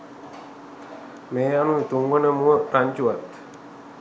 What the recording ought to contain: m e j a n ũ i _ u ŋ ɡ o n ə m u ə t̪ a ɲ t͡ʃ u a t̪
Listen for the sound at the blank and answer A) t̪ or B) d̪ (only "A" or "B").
A